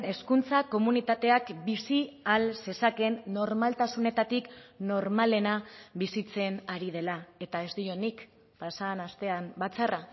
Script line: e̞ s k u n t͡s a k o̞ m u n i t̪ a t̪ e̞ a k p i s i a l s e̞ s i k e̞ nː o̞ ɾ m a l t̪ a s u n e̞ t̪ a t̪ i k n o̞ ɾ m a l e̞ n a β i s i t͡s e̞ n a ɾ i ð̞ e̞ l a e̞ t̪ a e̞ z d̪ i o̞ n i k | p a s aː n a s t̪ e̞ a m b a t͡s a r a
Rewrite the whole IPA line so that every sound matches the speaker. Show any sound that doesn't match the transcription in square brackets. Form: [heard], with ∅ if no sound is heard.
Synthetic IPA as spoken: e̞ s k u n t͡s a k o̞ m u n i t̪ a t̪ e̞ a k [b] i s i a l s e̞ s [a] k e̞ nː o̞ ɾ m a l t̪ a s u n e̞ t̪ a t̪ i k n o̞ ɾ m a l e̞ n a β i s i t͡s e̞ n a ɾ i ð̞ e̞ l a e̞ t̪ a e̞ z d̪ i o̞ n i k | p a s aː n a s t̪ e̞ a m b a t͡s a r a

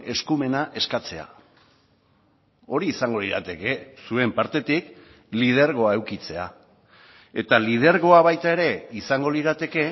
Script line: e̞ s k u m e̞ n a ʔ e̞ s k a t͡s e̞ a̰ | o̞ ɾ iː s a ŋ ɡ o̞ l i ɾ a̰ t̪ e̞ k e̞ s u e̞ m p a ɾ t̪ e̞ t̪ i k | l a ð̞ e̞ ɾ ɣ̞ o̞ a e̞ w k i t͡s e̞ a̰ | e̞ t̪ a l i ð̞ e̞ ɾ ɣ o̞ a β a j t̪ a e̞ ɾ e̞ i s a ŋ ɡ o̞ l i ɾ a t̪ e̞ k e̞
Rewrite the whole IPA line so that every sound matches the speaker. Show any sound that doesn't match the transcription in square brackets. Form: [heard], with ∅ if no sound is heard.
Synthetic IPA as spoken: e̞ s k u m e̞ n a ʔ e̞ s k a t͡s e̞ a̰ | o̞ ɾ iː s a ŋ ɡ o̞ l i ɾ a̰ t̪ e̞ k e̞ s u e̞ m p a ɾ t̪ e̞ t̪ i k | l [i] ð̞ e̞ ɾ ɣ̞ o̞ a e̞ w k i t͡s e̞ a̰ | e̞ t̪ a l i ð̞ e̞ ɾ ɣ o̞ a β a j t̪ a e̞ ɾ e̞ i s a ŋ ɡ o̞ l i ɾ a t̪ e̞ k e̞

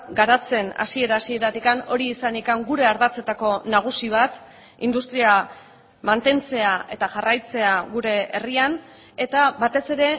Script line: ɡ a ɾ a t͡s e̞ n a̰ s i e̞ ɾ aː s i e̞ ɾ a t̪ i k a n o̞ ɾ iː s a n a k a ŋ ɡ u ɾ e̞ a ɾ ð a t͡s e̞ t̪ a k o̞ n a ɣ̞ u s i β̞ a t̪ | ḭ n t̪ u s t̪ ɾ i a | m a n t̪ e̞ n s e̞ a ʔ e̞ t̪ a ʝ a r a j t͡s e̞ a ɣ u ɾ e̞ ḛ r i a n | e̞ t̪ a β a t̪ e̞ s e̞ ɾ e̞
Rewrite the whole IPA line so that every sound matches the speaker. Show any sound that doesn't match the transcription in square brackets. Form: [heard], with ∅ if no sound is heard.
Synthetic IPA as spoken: ɡ a ɾ a t͡s e̞ n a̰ s i e̞ ɾ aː s i e̞ ɾ a t̪ i k a n o̞ ɾ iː s a n [i] k a ŋ ɡ u ɾ e̞ a ɾ ð a t͡s e̞ t̪ a k o̞ n a ɣ̞ u s i β̞ a t̪ | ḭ n [d̪] u s t̪ ɾ i a | m a n t̪ e̞ n [t͡s] e̞ a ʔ e̞ t̪ a ʝ a r a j t͡s e̞ a ɣ u ɾ e̞ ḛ r i a n | e̞ t̪ a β a t̪ e̞ s e̞ ɾ e̞

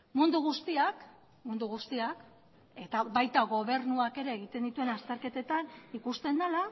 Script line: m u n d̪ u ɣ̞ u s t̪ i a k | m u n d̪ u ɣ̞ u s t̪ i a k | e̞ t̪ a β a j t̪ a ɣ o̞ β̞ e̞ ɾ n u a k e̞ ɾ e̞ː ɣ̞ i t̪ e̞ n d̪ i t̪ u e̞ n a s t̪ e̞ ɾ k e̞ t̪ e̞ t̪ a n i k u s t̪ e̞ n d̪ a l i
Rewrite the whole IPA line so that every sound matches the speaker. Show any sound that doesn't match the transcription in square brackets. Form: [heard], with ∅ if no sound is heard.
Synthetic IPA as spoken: m u n d̪ u ɣ̞ u s t̪ i a k | m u n d̪ u ɣ̞ u s t̪ i a k | e̞ t̪ a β a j t̪ a ɣ o̞ β̞ e̞ ɾ n u a k e̞ ɾ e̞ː ɣ̞ i t̪ e̞ n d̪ i t̪ u e̞ n a s t̪ e̞ ɾ k e̞ t̪ e̞ t̪ a n i k u s t̪ e̞ n d̪ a l [a]

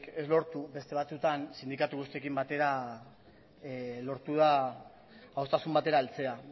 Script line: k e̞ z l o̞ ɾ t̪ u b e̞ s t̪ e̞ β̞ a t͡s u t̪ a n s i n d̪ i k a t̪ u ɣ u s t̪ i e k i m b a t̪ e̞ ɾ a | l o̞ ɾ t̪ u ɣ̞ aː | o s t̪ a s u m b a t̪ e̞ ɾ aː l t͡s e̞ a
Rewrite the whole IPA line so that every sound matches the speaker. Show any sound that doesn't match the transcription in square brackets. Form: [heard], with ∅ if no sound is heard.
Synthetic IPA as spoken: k e̞ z l o̞ ɾ t̪ u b e̞ s t̪ e̞ β̞ a t͡s u t̪ a n s i n d̪ i k a t̪ u ɣ u s t̪ i e k i m b a t̪ e̞ ɾ a | l o̞ ɾ t̪ u [ð̞] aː | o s t̪ a s u m b a t̪ e̞ ɾ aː l t͡s e̞ a

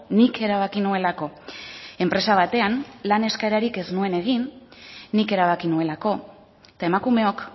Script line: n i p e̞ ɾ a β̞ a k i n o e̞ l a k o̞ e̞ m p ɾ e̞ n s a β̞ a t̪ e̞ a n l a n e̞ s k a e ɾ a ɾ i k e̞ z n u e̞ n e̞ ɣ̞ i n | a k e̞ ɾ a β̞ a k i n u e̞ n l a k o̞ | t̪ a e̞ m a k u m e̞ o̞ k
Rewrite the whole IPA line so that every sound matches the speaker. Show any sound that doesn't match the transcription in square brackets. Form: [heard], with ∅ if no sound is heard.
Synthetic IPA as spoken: n i [k] e̞ ɾ a β̞ a k i n [u] e̞ l a k o̞ e̞ m p ɾ e̞ [∅] s a β̞ a t̪ e̞ a n l a n e̞ s k a e ɾ a ɾ i k e̞ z n u e̞ n e̞ ɣ̞ i [nː] | [i] k e̞ ɾ a β̞ a k i n u e̞ [∅] l a k o̞ | t̪ a e̞ m a k u m e̞ o̞ k

